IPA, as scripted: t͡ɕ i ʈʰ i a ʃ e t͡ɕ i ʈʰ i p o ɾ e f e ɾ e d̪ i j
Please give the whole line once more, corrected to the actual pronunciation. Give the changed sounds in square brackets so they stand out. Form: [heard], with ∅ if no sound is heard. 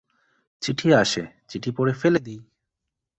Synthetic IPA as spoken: t͡ɕ i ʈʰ i a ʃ e t͡ɕ i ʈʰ i p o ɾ e f e [l] e d̪ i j